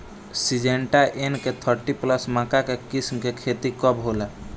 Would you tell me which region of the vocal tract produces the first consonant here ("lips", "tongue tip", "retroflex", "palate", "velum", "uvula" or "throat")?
tongue tip